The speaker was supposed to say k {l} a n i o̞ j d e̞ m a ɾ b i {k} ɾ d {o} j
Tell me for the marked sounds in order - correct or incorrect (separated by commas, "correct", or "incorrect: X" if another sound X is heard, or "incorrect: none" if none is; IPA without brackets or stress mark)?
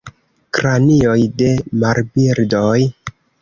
incorrect: ɾ, incorrect: none, correct